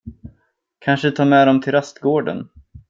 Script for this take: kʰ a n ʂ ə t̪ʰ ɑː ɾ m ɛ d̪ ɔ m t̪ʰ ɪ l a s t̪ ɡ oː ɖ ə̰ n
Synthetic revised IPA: kʰ a n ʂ ə t̪ʰ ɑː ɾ m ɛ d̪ ɔ m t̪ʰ ɪ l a s t̪ ɡ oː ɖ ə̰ n